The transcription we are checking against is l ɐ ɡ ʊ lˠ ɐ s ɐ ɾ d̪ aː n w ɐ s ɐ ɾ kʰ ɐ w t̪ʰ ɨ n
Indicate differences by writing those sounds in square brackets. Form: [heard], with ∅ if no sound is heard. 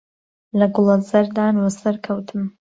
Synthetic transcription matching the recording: l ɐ ɡ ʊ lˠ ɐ [z] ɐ ɾ d̪ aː n w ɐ s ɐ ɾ kʰ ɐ w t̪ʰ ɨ [m]

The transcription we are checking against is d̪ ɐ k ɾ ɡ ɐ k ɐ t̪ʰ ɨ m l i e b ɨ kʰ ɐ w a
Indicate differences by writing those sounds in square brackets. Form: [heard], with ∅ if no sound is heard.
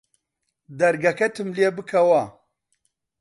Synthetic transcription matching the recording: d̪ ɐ [∅] ɾ ɡ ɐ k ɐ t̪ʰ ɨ m l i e b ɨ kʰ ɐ w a

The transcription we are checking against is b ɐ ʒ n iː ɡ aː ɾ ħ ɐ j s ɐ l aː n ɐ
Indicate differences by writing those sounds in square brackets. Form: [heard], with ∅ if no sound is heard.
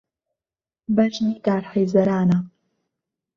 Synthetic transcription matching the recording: b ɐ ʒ n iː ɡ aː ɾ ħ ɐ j [z] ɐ [ɾ] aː n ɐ

